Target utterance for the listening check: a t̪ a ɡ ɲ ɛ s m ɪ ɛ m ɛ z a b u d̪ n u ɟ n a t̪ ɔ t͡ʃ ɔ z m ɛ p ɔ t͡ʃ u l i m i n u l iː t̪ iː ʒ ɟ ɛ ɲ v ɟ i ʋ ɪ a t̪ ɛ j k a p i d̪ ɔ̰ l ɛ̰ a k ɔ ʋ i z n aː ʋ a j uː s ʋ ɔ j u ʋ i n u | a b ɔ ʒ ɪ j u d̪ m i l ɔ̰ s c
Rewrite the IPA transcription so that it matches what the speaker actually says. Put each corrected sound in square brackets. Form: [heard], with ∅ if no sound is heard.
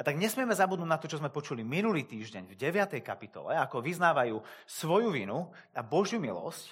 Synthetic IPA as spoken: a t̪ a ɡ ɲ ɛ s m ɪ ɛ m ɛ z a b u d̪ n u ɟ n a t̪ ɔ t͡ʃ ɔ z m ɛ p ɔ t͡ʃ u l i m i n u l iː t̪ iː ʒ ɟ ɛ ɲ v ɟ [ɛ] ʋ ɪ a t̪ ɛ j k a p i [t̪] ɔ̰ l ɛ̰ a k ɔ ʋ i z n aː ʋ a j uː s ʋ ɔ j u ʋ i n u | a b ɔ ʒ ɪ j u [∅] m i l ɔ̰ s c